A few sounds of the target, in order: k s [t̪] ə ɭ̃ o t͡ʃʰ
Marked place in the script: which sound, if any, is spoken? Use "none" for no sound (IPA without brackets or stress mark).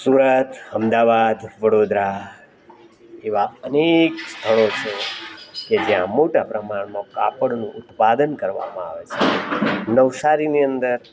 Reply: t̪ʰ